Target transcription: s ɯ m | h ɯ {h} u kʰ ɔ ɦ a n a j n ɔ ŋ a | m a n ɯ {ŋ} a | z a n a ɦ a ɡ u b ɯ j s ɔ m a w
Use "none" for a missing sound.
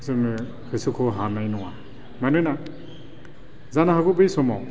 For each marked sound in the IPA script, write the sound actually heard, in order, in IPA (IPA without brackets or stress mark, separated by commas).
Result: s, n